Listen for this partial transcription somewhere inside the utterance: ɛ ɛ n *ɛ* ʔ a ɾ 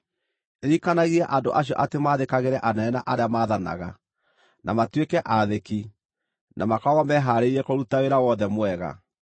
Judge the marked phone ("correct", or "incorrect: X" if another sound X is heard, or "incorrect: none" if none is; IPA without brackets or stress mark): incorrect: a